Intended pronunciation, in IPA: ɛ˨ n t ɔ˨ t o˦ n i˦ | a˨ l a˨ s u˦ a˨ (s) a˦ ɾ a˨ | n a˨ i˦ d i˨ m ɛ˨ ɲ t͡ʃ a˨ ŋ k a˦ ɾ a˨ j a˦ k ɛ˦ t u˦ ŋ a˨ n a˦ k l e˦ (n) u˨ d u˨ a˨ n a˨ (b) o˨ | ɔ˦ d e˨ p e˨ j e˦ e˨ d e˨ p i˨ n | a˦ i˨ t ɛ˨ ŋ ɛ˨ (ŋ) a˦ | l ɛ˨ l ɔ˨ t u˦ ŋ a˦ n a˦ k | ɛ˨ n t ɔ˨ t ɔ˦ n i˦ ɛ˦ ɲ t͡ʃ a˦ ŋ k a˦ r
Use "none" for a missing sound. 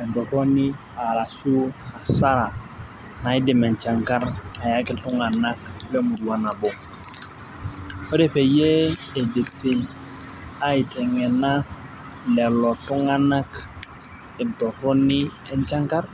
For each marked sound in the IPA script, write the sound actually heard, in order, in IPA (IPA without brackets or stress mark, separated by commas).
s, m, b, n